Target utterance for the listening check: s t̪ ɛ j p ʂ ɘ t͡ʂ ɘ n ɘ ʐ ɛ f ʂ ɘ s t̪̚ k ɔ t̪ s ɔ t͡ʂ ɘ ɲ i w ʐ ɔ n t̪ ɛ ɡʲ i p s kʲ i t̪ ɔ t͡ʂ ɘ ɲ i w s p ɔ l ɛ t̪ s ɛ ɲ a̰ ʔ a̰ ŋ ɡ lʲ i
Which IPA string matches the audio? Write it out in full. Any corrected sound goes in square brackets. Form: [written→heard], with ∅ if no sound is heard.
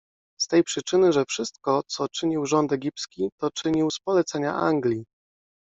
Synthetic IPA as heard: s t̪ ɛ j p ʂ ɘ t͡ʂ ɘ n ɘ ʐ ɛ f ʂ ɘ s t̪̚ k ɔ t̪ s ɔ t͡ʂ ɘ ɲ i w ʐ ɔ n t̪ ɛ ɡʲ i p s kʲ i t̪ ɔ t͡ʂ ɘ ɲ i w s p ɔ l ɛ t̪ s ɛ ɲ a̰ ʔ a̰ ŋ ɡ lʲ i